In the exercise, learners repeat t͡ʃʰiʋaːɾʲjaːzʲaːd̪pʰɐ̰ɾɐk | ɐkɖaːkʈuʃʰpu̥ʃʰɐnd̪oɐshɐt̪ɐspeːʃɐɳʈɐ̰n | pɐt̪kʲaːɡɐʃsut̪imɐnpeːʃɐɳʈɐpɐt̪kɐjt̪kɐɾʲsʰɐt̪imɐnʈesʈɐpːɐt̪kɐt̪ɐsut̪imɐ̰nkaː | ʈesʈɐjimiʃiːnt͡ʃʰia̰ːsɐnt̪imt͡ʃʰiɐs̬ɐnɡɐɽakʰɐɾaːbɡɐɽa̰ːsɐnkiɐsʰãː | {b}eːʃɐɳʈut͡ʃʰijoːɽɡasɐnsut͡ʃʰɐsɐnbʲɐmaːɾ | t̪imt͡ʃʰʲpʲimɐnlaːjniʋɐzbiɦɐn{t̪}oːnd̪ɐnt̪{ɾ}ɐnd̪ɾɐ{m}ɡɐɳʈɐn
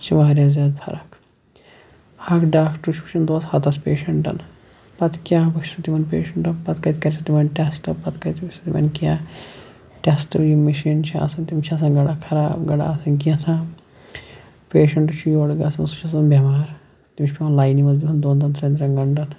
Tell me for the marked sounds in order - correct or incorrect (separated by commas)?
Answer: incorrect, incorrect, correct, incorrect